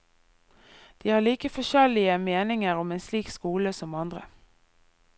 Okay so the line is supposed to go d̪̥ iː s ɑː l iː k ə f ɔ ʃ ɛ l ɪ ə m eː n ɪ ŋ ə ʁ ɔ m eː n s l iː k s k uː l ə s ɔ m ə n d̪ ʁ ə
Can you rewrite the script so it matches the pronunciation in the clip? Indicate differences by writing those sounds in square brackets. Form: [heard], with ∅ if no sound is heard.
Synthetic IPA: d̪̥ iː [h] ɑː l iː k ə f ɔ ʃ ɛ l ɪ ə m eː n ɪ ŋ ə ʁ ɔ m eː n s l iː k s k uː l ə s ɔ m [ɑ] n d̪ ʁ ə